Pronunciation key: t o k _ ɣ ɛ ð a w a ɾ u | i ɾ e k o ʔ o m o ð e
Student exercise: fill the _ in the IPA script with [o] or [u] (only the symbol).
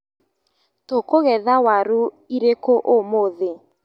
o